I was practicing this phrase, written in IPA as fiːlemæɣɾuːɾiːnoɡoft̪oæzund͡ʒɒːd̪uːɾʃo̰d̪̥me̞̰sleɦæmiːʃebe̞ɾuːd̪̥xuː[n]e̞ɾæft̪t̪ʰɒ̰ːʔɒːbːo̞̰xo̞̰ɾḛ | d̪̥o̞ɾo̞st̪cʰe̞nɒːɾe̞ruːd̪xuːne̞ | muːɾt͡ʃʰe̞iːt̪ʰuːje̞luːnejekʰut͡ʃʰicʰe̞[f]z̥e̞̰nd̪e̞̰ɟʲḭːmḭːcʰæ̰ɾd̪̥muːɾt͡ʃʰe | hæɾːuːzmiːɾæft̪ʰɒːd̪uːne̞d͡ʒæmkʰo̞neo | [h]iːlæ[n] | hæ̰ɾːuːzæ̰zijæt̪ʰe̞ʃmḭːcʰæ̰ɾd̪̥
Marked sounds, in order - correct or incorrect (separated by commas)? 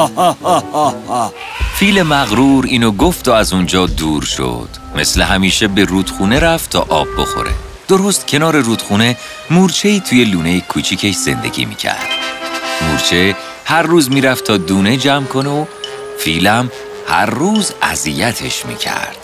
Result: correct, incorrect, incorrect, incorrect